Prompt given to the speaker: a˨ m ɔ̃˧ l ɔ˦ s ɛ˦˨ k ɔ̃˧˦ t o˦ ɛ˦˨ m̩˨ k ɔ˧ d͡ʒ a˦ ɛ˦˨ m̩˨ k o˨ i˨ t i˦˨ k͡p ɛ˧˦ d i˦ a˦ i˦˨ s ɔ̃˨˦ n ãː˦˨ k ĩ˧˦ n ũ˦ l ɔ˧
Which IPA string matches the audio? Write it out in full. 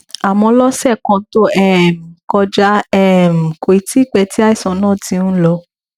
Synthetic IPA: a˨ m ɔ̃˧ l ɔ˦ s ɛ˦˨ k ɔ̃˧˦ t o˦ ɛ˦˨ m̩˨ k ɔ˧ d͡ʒ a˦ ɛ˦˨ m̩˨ k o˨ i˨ t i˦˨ k͡p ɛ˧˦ t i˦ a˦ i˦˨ s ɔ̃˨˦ n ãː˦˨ t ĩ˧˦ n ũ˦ l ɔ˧